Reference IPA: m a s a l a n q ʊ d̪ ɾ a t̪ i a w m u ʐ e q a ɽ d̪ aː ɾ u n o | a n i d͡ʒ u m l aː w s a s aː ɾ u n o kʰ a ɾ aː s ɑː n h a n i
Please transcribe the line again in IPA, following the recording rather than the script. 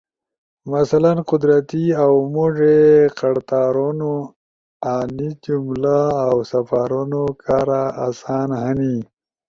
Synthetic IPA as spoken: m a s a l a n q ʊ d̪ ɾ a t̪ i a w m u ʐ e q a ɽ t̪ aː ɾ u n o | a n i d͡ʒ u m l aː w s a f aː ɾ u n o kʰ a ɾ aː s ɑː n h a n i